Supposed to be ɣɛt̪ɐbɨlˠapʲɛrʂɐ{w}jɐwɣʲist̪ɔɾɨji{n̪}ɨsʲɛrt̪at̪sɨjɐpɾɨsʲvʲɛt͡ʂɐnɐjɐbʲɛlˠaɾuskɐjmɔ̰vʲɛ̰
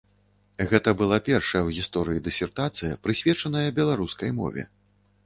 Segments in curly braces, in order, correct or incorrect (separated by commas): incorrect, incorrect